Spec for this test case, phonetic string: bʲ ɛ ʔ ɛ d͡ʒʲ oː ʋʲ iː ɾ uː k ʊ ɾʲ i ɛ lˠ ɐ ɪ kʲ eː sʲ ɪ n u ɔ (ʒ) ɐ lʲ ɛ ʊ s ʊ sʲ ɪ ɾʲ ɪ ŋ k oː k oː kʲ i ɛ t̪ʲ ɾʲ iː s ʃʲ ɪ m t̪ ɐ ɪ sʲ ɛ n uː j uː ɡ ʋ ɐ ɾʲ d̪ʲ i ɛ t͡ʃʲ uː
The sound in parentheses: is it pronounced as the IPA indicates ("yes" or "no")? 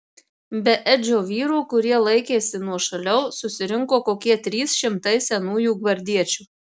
no